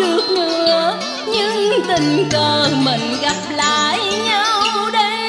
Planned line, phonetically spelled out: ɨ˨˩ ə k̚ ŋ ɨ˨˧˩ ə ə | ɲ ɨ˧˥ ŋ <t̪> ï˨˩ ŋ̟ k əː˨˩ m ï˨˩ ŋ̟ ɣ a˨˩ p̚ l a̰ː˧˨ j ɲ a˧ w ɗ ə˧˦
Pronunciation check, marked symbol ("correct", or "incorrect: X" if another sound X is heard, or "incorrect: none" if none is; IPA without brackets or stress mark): correct